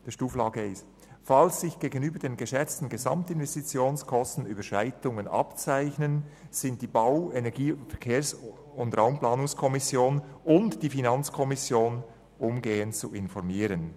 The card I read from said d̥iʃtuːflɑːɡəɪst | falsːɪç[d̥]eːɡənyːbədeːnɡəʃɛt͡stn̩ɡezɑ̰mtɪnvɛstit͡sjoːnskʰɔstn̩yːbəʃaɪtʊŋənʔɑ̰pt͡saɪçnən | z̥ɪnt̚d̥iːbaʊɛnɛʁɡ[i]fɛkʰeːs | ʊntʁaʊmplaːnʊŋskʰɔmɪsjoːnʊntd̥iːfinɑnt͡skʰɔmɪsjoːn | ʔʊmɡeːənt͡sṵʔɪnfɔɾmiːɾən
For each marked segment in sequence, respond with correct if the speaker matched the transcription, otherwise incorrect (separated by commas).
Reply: incorrect, incorrect